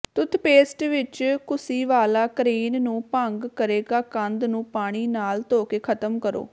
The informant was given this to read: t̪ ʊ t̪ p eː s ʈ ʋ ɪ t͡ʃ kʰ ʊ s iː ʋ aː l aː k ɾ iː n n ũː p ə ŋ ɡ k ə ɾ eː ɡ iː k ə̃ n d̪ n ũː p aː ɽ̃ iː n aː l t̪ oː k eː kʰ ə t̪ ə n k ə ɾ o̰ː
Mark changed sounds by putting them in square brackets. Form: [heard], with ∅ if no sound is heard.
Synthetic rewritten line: t̪ ʊ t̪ p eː s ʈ ʋ ɪ t͡ʃ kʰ ʊ s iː ʋ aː l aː k ɾ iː n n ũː p ə ŋ ɡ k ə ɾ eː ɡ [aː] k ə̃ n d̪ n ũː p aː ɽ̃ iː n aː l t̪ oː k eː kʰ ə t̪ ə [m] k ə ɾ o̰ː